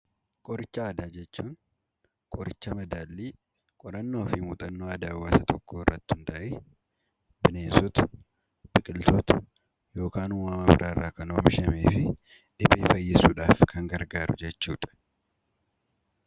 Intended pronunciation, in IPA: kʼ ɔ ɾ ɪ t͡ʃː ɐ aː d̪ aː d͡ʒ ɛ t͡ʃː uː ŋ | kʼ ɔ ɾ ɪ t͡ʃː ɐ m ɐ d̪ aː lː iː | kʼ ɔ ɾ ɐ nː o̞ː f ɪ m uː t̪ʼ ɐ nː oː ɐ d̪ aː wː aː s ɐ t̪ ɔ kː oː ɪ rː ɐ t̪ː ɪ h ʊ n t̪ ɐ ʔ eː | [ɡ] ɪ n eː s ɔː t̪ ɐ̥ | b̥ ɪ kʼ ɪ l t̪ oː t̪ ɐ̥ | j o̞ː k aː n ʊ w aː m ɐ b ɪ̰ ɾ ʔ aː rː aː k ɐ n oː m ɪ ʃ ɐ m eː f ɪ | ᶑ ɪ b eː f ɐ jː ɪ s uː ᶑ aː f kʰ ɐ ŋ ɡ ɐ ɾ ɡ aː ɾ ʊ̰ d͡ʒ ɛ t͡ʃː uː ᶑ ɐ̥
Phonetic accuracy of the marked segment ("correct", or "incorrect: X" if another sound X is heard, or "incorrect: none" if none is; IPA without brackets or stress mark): incorrect: b